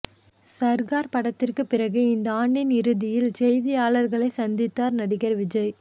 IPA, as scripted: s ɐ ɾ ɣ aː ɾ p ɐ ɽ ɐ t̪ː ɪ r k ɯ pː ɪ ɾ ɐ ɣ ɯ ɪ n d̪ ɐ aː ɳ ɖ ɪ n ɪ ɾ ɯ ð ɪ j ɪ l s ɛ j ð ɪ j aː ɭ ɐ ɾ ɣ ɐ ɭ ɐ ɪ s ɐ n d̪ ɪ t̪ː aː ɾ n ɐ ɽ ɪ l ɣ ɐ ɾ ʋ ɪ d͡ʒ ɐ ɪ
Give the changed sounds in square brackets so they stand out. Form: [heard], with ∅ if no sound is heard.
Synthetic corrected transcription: s ɐ ɾ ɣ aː ɾ p ɐ ɽ ɐ t̪ː ɪ r k ɯ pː ɪ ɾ ɐ ɣ ɯ ɪ n d̪ ɐ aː ɳ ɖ ɪ n ɪ ɾ ɯ ð ɪ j ɪ l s ɛ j ð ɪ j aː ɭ ɐ ɾ ɣ ɐ ɭ ɐ ɪ s ɐ n d̪ ɪ t̪ː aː ɾ n ɐ ɽ ɪ [∅] ɣ ɐ ɾ ʋ ɪ d͡ʒ ɐ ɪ